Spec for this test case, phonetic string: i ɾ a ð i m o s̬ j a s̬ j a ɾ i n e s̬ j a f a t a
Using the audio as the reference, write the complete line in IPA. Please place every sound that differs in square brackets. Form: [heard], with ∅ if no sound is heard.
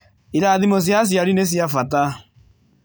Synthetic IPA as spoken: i ɾ a ð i m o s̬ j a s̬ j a ɾ i n e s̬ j a f a t a